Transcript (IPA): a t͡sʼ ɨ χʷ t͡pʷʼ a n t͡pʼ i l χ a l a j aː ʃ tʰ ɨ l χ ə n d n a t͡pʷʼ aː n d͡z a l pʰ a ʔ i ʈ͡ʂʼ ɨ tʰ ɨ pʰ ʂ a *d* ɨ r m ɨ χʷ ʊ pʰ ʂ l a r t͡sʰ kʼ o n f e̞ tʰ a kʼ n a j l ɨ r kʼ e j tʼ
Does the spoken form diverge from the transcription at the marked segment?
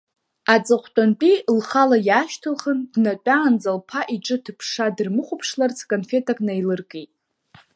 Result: no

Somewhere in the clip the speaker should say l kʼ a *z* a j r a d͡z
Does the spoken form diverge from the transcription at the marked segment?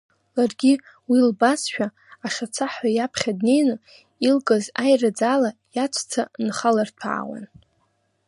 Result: no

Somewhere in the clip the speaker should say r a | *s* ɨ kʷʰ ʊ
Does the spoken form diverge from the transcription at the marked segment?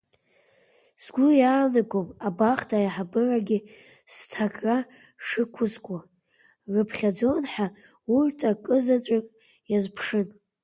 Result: yes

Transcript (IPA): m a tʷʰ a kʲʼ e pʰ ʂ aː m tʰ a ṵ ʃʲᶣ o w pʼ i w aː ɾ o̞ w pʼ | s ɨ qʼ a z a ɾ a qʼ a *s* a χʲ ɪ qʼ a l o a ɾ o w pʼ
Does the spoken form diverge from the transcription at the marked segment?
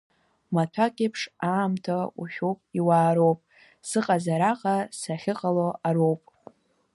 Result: no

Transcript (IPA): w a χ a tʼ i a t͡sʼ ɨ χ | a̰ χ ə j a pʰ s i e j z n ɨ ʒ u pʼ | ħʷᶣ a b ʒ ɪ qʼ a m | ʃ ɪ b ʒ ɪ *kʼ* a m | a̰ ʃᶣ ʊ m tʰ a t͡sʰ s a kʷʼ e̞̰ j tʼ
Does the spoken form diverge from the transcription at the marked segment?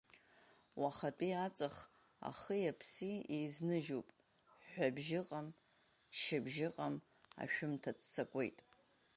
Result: yes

